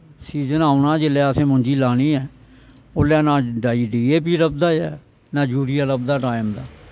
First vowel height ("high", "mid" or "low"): high